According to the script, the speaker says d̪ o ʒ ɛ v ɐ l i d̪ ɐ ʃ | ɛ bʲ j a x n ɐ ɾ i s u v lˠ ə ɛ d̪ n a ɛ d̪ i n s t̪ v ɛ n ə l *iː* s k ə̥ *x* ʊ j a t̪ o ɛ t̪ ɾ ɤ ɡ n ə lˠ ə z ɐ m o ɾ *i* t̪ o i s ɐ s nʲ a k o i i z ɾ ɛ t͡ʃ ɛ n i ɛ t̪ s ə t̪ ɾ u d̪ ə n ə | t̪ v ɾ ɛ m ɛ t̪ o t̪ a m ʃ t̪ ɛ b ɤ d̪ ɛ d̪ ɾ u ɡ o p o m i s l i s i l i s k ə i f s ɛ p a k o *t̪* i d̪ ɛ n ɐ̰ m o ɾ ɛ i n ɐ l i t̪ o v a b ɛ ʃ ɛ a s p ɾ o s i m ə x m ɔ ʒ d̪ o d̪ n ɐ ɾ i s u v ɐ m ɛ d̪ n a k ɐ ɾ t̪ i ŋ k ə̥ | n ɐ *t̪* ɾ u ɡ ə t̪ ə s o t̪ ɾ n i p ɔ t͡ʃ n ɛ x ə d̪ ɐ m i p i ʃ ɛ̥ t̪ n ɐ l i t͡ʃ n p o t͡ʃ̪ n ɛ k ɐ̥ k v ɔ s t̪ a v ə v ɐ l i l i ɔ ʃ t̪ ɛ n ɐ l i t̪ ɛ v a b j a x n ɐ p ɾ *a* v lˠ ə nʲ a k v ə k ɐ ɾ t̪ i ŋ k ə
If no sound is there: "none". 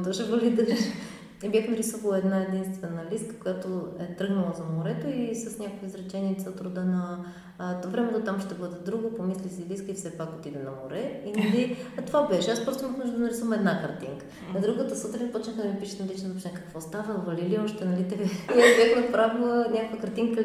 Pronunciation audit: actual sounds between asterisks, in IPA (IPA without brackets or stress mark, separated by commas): i, k, ɛ, t̪, d̪, a